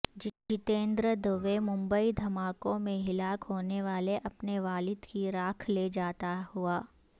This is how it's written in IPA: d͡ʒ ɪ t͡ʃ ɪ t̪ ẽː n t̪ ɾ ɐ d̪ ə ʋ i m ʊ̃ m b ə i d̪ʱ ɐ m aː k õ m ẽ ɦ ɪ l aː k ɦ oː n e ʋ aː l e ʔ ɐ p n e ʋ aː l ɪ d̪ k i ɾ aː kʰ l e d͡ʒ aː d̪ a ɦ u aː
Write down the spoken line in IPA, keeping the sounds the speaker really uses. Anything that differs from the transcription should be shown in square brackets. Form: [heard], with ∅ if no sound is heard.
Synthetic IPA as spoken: d͡ʒ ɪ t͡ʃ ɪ t̪ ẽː n [d̪] ɾ [ə] d̪ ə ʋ [e] m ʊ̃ m b ə i d̪ʱ ɐ m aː k õ m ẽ ɦ ɪ l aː k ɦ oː n e ʋ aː l e ʔ ɐ p n e ʋ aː l ɪ d̪ k i ɾ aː kʰ l e d͡ʒ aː [t̪] a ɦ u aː